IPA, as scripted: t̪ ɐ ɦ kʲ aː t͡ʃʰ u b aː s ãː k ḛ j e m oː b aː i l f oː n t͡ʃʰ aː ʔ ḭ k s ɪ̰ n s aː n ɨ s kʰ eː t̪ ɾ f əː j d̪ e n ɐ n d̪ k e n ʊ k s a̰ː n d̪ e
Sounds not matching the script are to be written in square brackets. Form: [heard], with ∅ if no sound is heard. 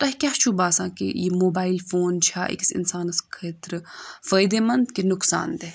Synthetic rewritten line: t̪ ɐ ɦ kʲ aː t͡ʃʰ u b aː s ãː k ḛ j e m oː b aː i l f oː n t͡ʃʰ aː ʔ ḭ k s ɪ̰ n s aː n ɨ s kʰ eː t̪ ɾ f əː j d̪ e [m] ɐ n d̪ k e n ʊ k s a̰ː n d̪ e